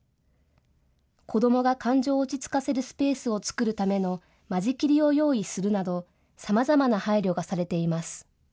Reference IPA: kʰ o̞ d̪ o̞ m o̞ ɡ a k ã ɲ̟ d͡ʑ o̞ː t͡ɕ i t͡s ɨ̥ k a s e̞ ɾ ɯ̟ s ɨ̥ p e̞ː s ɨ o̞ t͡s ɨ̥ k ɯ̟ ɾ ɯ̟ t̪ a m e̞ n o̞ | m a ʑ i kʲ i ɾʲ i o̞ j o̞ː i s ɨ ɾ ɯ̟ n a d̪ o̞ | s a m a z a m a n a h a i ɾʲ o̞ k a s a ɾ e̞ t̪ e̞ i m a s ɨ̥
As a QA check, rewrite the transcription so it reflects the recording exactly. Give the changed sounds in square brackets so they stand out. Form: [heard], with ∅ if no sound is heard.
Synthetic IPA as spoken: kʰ o̞ d̪ o̞ m o̞ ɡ a k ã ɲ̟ d͡ʑ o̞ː t͡ɕ i t͡s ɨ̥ k a s e̞ ɾ ɯ̟ s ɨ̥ p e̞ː s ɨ o̞ t͡s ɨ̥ k ɯ̟ ɾ ɯ̟ t̪ a m e̞ n o̞ | m a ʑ i kʲ i ɾʲ i o̞ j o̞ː i s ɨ ɾ ɯ̟ n a d̪ o̞ | s a m a z a m a n a h a i ɾʲ o̞ [ɡ] a s a ɾ e̞ t̪ e̞ i m a s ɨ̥